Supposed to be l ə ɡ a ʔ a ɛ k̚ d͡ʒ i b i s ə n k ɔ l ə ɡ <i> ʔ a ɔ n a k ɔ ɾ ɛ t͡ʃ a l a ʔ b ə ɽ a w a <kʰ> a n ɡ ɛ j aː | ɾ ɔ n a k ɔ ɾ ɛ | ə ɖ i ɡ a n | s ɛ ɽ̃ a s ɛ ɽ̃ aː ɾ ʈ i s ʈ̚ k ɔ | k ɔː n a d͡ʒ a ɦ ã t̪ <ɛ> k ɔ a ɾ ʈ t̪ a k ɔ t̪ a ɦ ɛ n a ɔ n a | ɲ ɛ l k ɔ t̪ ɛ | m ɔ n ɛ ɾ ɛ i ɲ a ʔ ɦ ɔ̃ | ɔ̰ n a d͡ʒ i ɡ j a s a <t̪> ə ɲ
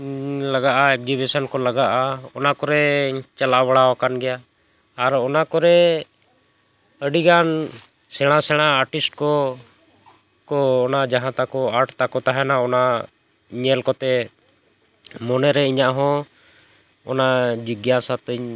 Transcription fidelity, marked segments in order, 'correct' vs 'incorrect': incorrect: a, incorrect: k, incorrect: a, correct

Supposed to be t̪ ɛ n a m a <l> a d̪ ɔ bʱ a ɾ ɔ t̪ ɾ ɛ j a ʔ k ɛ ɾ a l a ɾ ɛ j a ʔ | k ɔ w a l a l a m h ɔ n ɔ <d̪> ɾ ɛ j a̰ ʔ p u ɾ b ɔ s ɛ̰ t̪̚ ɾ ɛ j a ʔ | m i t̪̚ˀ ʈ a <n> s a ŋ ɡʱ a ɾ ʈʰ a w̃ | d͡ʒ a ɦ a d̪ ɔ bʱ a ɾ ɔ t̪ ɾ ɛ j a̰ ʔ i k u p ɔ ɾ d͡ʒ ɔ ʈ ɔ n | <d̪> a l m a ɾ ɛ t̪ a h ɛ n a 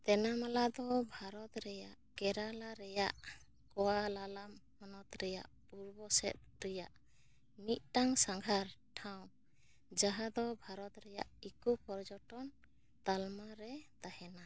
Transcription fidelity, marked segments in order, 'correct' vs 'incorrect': correct, incorrect: t̪, incorrect: ŋ, incorrect: t̪

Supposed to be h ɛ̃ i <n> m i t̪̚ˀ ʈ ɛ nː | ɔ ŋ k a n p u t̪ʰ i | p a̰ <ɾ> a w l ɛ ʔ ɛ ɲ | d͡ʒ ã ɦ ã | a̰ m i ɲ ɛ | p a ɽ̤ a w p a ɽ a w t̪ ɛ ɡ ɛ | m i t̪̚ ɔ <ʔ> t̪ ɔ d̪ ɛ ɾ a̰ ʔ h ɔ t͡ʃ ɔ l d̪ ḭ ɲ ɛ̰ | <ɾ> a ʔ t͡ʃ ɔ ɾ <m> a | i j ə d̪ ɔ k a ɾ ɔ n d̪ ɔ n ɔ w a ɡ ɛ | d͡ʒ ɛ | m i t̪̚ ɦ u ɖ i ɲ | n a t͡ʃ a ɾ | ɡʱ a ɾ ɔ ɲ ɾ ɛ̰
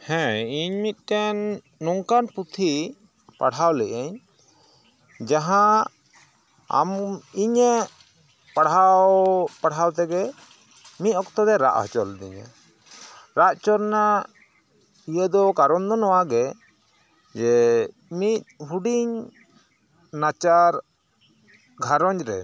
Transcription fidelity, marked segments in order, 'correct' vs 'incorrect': incorrect: ɲ, incorrect: ɽ, incorrect: k, correct, incorrect: n

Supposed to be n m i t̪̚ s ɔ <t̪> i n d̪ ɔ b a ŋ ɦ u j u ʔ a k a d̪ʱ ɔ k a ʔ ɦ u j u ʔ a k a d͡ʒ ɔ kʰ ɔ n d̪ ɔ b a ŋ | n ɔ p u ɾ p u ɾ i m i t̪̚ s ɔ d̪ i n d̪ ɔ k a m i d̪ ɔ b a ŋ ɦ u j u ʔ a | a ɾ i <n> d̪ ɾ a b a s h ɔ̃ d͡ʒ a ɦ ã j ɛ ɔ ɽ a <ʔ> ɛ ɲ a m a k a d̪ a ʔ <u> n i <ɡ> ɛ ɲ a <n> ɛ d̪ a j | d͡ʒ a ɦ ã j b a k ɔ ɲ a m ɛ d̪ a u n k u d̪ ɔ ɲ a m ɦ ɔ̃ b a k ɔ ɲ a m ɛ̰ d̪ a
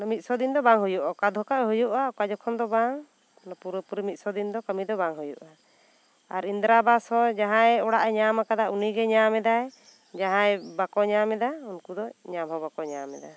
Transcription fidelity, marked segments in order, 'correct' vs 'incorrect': incorrect: d̪, correct, correct, correct, correct, incorrect: m

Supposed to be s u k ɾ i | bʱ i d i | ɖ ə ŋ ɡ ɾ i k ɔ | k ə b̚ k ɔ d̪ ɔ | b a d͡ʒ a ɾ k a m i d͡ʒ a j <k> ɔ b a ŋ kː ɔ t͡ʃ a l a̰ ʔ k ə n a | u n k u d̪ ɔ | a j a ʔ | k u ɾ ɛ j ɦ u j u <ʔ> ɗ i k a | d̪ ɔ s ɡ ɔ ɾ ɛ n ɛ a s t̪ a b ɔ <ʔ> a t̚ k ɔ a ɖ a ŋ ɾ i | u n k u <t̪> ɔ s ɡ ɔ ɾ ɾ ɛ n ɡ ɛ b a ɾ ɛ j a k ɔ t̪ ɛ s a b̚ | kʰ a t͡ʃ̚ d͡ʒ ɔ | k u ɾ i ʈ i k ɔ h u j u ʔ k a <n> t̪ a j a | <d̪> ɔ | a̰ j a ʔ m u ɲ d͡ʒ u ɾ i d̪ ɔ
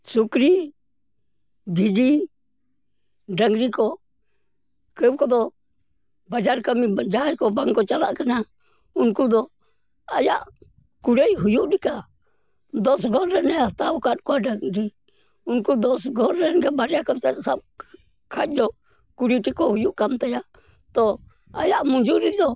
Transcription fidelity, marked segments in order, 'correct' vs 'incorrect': correct, correct, incorrect: k, incorrect: d̪, incorrect: m, incorrect: t̪

